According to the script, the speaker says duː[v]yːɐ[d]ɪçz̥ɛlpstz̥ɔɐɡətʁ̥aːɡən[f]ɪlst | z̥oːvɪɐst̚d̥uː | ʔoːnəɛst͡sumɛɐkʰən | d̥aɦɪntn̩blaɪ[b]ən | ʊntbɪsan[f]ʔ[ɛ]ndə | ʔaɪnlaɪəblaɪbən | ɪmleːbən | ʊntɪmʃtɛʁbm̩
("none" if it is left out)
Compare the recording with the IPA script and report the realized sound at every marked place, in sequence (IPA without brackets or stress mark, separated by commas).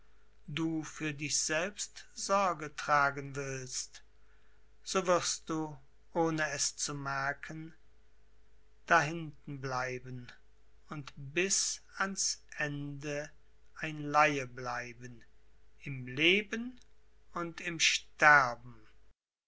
f, d, v, b, s, ɛ